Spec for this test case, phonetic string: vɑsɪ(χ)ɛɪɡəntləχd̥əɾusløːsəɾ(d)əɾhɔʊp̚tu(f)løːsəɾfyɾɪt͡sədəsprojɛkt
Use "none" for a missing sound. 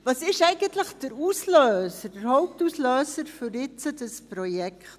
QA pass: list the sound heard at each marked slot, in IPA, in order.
ʃ, d, s

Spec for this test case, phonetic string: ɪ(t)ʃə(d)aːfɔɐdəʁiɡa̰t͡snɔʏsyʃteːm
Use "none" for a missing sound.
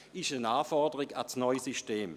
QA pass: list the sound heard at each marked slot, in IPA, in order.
none, n

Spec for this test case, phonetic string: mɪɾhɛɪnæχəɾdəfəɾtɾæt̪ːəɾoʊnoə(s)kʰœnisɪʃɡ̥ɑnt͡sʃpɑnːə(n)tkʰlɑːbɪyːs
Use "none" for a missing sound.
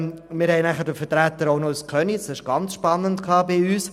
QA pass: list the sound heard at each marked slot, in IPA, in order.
s, n

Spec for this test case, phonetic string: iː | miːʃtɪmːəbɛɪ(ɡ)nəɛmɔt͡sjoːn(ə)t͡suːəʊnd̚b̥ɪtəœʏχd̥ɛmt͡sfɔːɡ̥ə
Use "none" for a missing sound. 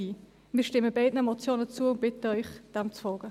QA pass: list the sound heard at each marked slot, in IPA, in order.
d, ə

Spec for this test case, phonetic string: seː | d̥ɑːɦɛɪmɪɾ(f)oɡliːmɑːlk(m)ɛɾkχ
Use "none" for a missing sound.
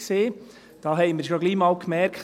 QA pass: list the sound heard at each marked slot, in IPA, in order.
ʃ, m

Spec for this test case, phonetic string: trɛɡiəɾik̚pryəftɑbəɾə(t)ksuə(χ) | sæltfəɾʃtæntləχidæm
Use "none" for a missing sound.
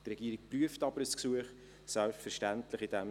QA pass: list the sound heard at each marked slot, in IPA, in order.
s, χ

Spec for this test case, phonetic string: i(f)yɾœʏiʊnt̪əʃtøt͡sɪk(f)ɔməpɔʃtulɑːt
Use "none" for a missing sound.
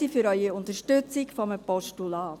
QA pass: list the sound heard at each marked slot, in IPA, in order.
f, f

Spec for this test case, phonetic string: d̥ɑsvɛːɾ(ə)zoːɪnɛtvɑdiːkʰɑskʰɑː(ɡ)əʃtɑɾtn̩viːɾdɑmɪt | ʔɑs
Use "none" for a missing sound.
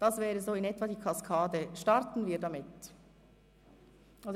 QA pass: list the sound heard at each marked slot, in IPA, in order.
ə, d

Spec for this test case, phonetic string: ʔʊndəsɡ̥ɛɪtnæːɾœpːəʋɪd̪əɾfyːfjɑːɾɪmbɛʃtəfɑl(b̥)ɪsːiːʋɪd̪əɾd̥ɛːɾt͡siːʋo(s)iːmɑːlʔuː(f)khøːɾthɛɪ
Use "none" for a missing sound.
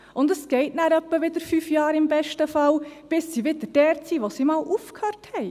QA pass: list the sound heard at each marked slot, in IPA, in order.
b̥, s, f

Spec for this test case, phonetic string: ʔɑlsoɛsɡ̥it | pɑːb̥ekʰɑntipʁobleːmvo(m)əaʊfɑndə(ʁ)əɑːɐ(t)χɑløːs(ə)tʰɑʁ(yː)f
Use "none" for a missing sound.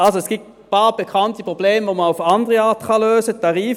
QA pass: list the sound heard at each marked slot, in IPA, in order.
m, ʁ, t, ə, iː

